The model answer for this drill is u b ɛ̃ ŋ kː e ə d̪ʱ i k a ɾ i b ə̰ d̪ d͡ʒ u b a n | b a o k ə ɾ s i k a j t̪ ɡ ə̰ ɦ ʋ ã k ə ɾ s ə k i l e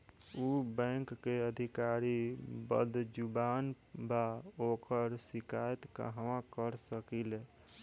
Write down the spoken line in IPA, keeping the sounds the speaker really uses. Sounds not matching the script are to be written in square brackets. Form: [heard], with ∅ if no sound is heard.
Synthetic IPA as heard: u b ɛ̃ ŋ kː e ə d̪ʱ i k a ɾ i b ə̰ d̪ d͡ʒ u b a n | b a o k ə ɾ s i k a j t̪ [k] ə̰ ɦ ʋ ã k ə ɾ s ə k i l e